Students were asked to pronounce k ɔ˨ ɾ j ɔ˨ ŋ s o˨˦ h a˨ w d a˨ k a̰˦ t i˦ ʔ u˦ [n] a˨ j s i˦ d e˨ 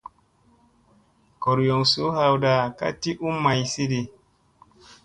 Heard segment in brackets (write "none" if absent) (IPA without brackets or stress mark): m